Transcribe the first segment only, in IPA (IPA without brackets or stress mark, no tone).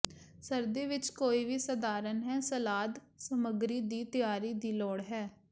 s